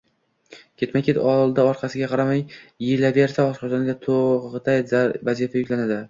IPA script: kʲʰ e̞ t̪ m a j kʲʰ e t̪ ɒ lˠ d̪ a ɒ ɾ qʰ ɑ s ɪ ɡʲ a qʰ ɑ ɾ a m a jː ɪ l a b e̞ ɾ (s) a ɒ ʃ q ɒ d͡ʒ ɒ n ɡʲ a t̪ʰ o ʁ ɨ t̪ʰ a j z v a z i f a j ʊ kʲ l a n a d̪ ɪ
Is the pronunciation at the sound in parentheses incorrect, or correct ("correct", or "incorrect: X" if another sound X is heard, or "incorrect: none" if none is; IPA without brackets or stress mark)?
correct